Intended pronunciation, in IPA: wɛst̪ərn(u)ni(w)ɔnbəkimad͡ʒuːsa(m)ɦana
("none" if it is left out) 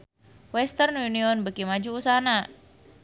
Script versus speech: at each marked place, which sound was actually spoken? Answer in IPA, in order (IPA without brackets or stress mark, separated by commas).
u, none, none